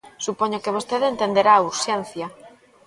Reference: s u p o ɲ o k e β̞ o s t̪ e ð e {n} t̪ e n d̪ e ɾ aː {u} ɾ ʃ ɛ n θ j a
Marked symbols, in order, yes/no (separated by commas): yes, yes